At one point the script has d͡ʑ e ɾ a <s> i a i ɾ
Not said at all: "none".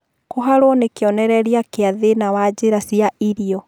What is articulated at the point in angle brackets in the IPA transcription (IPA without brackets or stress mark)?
s